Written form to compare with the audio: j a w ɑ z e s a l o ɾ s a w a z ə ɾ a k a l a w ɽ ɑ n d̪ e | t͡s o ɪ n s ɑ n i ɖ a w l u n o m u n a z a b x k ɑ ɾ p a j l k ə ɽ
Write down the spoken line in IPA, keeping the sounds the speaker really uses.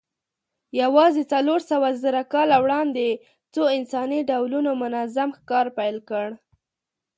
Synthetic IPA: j a w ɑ z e t͡s a l o ɾ s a w a z ə ɾ a k ɑ l a w ɽ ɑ n d̪ e | t͡s o ɪ n s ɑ n i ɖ a w l u n o m ʊ n a z a m x k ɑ ɾ p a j l k ə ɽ